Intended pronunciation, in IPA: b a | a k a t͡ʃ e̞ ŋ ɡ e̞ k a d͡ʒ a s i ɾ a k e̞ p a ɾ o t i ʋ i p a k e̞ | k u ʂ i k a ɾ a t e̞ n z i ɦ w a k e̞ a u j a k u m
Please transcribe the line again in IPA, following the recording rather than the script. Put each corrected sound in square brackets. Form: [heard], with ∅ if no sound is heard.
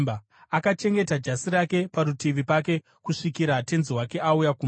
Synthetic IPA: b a | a k a t͡ʃ e̞ ŋ ɡ e̞ [t] a d͡ʒ a s i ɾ a k e̞ p a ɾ [u] t i ʋ i p a k e̞ | k u ʂ i k [i] ɾ a t e̞ n z i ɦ w a k e̞ a u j a k u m